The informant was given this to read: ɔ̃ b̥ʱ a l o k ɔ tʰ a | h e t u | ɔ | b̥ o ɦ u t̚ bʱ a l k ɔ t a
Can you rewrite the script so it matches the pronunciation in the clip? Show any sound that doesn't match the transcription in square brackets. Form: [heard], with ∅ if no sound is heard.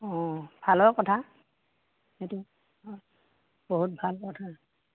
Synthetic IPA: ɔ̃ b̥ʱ a l [ɔ] k ɔ tʰ a | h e t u | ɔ | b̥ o ɦ u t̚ bʱ a l k ɔ [tʰ] a